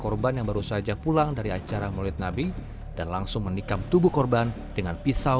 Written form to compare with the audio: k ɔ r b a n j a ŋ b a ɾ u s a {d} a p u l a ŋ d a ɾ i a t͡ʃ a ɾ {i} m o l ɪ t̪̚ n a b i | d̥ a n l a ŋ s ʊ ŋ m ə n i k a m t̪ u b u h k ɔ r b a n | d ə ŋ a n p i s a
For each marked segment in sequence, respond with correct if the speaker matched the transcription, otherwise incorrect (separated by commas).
incorrect, incorrect